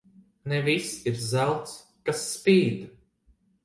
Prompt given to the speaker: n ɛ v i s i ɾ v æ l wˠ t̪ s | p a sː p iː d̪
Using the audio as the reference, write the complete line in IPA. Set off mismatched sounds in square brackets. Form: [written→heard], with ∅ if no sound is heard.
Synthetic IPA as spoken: n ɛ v i s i ɾ [v→z] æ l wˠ t̪ s | [p→k] a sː p iː d̪